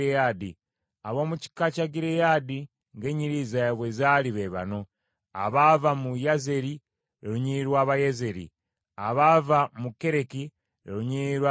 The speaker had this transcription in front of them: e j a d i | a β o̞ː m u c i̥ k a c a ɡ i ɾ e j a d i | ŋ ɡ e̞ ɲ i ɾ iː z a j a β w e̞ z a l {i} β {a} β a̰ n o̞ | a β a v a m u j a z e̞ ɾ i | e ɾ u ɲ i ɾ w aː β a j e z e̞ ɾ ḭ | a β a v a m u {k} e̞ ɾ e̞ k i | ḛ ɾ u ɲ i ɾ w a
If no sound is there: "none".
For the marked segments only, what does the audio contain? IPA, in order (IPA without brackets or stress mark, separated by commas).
i, e, k